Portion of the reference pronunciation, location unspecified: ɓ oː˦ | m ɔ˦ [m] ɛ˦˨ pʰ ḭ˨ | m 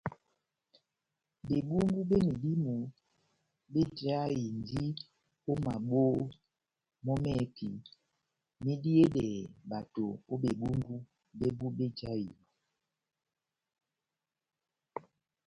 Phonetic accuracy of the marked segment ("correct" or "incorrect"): correct